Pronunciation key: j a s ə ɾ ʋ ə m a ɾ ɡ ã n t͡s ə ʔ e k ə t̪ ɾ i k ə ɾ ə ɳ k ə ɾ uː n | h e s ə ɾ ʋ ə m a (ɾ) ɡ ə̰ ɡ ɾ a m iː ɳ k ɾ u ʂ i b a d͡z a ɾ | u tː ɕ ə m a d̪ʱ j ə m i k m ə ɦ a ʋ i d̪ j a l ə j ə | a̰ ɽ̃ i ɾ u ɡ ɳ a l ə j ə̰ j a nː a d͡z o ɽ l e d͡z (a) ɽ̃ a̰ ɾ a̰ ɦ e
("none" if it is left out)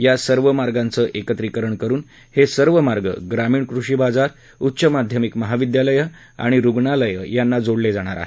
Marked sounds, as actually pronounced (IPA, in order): ɾ, a

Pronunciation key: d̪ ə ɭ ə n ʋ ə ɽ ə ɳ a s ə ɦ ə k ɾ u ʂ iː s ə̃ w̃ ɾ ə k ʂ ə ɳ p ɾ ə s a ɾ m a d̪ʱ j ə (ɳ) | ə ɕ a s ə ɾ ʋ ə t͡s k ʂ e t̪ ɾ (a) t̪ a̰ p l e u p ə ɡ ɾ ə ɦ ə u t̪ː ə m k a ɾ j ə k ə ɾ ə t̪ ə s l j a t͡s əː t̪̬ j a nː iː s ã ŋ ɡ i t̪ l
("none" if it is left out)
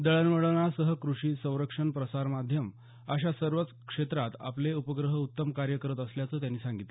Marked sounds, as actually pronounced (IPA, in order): m, a

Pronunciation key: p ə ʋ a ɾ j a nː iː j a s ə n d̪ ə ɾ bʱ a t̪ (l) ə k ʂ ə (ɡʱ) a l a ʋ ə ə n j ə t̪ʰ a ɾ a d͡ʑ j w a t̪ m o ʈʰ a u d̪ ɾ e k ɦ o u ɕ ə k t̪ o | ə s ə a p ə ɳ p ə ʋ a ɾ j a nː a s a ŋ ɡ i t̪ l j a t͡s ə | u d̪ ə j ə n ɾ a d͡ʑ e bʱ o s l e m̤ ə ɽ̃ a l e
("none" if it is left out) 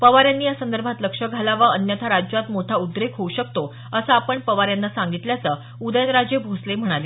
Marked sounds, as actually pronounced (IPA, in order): l, ɡʱ

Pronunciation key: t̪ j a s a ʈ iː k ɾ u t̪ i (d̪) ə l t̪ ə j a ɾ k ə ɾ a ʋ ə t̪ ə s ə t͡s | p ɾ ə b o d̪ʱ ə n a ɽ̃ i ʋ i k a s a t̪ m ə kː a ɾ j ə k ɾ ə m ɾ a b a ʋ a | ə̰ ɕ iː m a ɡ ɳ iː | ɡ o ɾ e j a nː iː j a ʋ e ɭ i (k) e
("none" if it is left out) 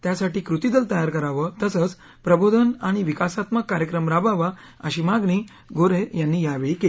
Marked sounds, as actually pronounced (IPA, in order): d̪, k

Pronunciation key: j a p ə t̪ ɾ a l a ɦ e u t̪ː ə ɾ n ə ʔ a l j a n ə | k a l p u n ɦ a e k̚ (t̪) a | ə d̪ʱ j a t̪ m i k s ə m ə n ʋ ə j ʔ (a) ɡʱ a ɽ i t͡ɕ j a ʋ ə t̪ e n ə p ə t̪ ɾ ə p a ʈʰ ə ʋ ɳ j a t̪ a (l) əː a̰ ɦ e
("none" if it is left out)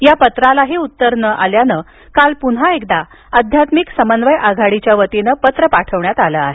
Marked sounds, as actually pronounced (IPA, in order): d̪, a, l

